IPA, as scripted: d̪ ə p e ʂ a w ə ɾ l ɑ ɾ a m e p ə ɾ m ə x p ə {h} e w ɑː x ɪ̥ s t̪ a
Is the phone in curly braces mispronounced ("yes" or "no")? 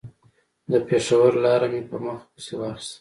yes